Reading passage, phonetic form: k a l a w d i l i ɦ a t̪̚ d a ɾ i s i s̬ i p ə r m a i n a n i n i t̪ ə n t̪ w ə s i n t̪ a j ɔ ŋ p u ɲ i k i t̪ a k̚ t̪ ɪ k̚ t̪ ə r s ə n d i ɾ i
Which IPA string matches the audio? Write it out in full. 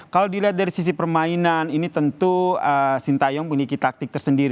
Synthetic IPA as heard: k a l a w d i l i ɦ a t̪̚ d a ɾ i s i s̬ i p ə r m a i n a n i n i t̪ ə n t̪ u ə s i n t̪ a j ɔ ŋ p u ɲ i k i t̪ a k̚ t̪ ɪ k̚ t̪ ə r s ə n d i ɾ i